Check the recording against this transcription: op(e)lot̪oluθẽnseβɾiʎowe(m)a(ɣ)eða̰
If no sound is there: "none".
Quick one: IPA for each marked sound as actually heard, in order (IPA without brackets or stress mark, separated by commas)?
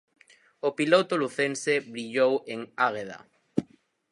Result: i, ŋ, ɣ